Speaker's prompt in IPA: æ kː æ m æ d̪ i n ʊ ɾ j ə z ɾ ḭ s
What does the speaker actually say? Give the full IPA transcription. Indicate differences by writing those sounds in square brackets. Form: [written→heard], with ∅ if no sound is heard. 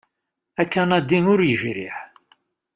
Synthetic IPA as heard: æ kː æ [m→n] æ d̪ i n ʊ ɾ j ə [z→ʒ] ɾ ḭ [s→ħ]